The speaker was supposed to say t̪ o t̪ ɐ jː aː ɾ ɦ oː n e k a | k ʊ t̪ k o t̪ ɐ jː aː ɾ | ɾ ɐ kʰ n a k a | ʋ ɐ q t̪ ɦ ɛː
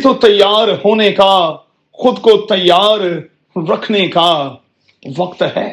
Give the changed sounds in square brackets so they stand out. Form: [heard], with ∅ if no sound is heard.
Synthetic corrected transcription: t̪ o t̪ ɐ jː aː ɾ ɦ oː n e k a | [x] ʊ [d̪] k o t̪ ɐ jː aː ɾ | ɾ ɐ kʰ n [e] k a | ʋ ɐ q t̪ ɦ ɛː